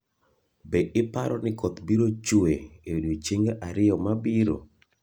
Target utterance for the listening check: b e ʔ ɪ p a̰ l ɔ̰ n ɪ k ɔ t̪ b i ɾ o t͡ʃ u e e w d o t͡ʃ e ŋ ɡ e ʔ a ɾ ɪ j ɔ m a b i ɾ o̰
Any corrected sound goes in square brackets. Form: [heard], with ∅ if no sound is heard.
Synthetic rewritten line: b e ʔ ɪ p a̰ [ɾ] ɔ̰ n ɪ k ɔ t̪ b i ɾ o t͡ʃ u e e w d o t͡ʃ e ŋ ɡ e ʔ a ɾ ɪ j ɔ m a b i ɾ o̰